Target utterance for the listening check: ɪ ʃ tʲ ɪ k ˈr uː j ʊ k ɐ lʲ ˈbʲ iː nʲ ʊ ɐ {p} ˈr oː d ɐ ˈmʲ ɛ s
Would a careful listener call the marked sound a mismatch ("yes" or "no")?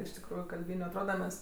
yes